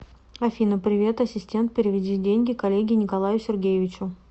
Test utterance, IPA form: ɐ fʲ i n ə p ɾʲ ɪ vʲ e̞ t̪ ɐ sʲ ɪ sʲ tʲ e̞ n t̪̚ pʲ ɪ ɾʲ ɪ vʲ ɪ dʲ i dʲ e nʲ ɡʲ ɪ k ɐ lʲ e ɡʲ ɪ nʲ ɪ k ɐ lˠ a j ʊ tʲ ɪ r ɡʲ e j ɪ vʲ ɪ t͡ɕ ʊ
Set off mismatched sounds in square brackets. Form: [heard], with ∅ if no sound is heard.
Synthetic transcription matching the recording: ɐ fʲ i n ə p ɾʲ ɪ vʲ e̞ t̪ ɐ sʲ ɪ sʲ tʲ e̞ n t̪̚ pʲ ɪ ɾʲ ɪ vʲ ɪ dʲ i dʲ e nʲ ɡʲ ɪ k ɐ lʲ e ɡʲ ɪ nʲ ɪ k ɐ lˠ a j ʊ [sʲ] ɪ r ɡʲ e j ɪ vʲ ɪ t͡ɕ ʊ